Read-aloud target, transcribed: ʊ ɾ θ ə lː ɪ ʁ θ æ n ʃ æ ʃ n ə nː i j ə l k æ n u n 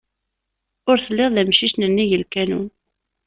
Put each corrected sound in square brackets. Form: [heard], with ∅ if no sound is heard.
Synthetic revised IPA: ʊ ɾ θ ə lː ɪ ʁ [ð] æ [m] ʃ [i] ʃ n ə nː i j ə l k æ n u n